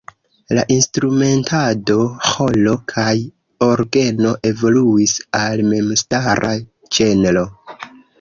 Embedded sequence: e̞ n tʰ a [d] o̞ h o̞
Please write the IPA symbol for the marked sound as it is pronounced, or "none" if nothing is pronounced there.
d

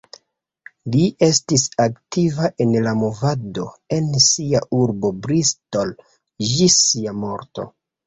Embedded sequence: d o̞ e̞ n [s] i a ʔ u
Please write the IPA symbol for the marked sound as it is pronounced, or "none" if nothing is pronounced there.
s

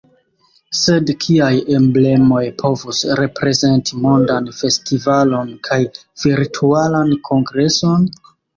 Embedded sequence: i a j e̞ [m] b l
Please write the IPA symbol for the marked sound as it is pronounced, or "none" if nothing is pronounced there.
m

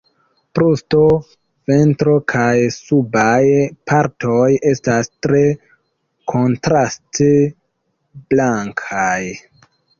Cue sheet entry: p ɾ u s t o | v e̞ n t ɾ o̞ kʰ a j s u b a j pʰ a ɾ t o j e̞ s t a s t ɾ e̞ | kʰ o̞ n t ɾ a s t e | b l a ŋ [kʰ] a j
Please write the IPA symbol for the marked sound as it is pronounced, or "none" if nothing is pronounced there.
kʰ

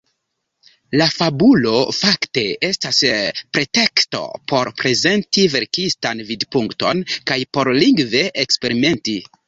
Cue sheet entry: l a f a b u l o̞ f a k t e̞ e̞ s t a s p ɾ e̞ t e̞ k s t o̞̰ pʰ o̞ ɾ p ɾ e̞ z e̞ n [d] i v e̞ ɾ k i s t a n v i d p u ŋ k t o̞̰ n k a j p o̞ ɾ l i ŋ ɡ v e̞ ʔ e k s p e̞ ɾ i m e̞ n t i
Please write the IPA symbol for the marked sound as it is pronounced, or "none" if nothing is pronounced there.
t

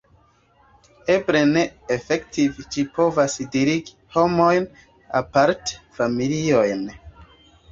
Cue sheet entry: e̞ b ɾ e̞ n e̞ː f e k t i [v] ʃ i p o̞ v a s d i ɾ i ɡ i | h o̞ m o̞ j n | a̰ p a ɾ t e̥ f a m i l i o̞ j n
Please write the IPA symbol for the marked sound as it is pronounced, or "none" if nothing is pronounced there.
v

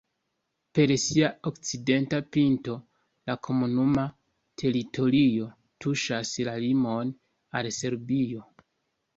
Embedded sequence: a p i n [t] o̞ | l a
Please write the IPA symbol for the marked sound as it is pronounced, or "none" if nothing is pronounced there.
t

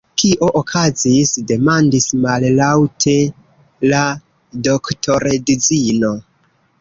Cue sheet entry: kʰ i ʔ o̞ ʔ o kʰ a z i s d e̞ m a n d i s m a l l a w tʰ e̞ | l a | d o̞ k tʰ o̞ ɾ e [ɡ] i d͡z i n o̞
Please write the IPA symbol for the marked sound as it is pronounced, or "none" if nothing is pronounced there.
d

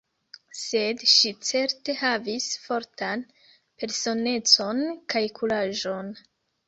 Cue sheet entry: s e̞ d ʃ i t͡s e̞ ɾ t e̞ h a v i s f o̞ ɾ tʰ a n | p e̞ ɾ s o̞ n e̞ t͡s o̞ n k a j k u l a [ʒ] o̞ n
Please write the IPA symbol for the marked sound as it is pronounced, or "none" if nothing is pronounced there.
ʒ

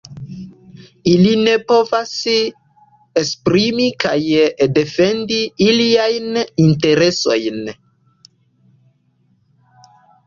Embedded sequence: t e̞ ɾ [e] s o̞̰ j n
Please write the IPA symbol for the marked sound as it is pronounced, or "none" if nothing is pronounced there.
e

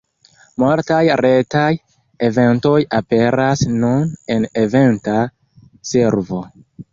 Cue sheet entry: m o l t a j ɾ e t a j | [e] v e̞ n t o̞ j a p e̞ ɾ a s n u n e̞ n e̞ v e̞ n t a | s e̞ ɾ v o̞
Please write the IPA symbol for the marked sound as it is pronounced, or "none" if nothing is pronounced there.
e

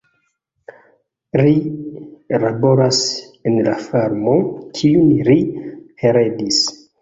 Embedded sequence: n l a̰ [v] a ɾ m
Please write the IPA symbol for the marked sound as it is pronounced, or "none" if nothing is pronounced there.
f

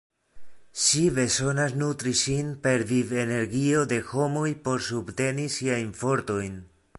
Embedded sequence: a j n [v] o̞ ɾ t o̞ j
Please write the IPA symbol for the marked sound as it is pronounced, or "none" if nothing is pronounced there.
f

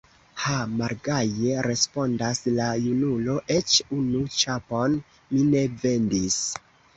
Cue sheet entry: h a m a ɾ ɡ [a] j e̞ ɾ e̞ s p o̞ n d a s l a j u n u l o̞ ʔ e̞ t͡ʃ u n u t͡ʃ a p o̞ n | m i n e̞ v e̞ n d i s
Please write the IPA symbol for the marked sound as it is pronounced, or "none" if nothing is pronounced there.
a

